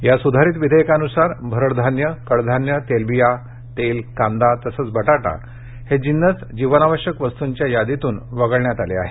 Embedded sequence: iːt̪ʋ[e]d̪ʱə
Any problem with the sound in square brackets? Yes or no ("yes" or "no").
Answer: yes